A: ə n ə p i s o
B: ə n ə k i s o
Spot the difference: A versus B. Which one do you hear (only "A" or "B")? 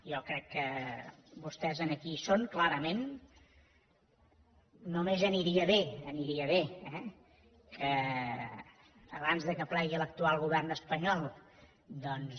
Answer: B